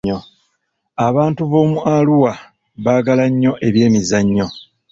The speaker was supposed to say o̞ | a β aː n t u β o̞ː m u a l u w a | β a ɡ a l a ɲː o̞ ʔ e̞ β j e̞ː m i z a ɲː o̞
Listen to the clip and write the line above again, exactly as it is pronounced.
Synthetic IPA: o̞ | a β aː n t u β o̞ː m u a l u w a | β a ɡ a l a ɲː o̞ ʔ e̞ β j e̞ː m i z a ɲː o̞

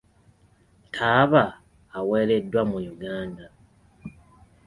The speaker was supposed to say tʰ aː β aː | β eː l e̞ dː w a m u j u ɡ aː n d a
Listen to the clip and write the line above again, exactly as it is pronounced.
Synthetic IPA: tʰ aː β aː | w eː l e̞ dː w a m u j u ɡ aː n d a

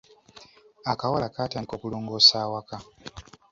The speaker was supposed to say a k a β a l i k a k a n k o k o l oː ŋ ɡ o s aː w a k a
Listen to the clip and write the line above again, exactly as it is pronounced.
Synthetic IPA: a k a w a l a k a t a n k o k u l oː ŋ ɡ o s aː w a k a

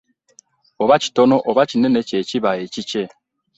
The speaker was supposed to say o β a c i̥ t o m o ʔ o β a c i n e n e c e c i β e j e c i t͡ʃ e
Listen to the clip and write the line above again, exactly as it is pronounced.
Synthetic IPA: o β a c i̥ t o n o ʔ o β a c i n e n e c e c i β a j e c i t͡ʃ e

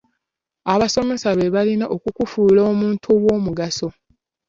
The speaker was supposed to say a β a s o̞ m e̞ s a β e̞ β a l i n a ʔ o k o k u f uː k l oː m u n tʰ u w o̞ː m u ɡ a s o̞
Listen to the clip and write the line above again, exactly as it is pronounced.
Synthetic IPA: a β a s o̞ m e̞ s a β e̞ β a l i n a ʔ o k u k u f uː l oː m uː n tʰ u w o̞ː m u ɡ a s o̞

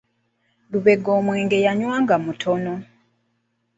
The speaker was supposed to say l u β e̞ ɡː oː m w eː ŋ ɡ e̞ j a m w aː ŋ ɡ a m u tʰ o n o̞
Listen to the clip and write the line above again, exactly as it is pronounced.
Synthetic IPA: l u β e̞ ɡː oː m w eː ŋ ɡ e̞ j a ɲ w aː ŋ ɡ a m u tʰ o n o̞

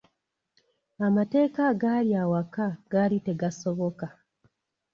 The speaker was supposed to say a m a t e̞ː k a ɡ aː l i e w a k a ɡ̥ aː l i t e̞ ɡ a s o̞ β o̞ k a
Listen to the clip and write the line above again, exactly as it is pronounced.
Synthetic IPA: a m a t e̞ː k a ɡ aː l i a w a k a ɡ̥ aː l i t e̞ ɡ a s o̞ β o̞ k a

